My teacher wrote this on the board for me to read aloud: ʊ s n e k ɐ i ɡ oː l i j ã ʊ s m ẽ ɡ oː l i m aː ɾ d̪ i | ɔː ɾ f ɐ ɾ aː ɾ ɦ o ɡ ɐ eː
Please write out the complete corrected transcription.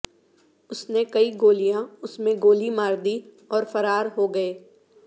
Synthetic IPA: ʊ s n e k ɐ i ɡ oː l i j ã ʊ s m ẽ ɡ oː l i m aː ɾ d̪ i | ɔː ɾ f ɐ ɾ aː ɾ ɦ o ɡ ɐ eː